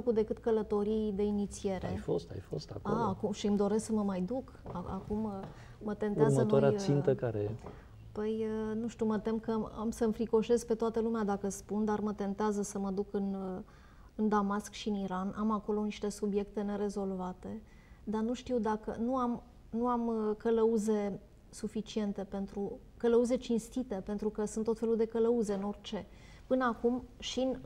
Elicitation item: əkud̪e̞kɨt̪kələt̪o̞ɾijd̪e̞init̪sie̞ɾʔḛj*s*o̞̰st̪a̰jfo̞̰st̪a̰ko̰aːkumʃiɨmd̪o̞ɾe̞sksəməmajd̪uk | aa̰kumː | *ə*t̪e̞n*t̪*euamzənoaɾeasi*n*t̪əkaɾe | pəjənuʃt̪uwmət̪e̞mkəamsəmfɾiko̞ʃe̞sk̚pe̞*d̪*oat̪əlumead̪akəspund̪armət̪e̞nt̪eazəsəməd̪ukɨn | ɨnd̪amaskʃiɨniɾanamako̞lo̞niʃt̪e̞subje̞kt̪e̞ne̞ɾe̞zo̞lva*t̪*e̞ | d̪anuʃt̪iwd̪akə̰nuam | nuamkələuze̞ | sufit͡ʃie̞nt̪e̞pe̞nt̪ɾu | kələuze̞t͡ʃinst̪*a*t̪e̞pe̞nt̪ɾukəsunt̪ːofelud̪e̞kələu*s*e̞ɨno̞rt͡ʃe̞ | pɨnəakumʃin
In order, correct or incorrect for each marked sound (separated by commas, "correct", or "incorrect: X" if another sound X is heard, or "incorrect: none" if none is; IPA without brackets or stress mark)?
incorrect: f, correct, correct, correct, incorrect: t̪, correct, incorrect: i, incorrect: z